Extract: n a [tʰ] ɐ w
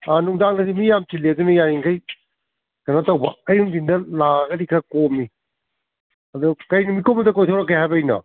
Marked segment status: incorrect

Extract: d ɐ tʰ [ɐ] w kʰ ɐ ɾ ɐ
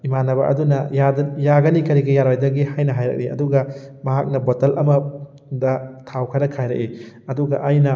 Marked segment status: incorrect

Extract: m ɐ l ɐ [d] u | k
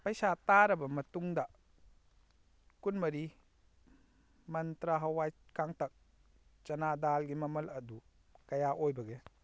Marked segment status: correct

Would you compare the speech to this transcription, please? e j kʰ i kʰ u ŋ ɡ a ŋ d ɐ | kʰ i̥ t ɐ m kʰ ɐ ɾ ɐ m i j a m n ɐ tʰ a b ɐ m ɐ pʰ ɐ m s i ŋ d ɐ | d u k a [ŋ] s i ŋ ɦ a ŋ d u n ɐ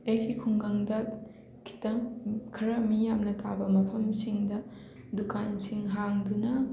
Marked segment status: incorrect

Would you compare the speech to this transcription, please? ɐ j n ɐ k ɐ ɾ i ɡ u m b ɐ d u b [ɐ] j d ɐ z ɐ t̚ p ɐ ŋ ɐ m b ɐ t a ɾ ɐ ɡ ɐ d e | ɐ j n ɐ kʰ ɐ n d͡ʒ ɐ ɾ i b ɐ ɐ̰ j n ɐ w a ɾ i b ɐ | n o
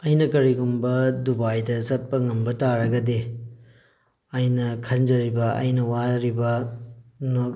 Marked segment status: incorrect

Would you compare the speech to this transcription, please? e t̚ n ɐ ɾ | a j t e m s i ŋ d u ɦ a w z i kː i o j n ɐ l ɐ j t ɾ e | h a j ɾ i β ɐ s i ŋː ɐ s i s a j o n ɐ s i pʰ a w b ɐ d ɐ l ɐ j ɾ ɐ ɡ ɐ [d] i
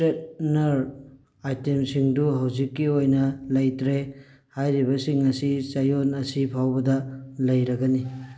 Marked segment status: incorrect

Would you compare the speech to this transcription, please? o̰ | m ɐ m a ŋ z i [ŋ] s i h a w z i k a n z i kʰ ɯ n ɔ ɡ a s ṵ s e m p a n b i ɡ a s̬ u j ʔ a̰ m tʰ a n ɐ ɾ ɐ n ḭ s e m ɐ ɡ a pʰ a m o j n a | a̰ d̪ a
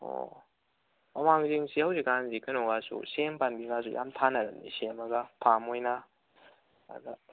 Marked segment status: correct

